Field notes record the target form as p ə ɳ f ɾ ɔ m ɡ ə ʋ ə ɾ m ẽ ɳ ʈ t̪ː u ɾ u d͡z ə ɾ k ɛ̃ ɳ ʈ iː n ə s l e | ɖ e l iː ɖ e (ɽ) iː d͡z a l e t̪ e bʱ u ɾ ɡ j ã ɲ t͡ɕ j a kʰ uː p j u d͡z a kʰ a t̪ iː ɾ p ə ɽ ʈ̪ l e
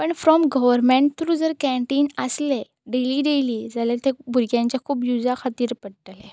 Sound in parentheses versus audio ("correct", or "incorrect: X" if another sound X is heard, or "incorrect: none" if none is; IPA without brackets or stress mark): incorrect: l